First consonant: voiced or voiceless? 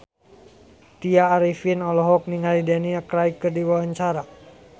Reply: voiceless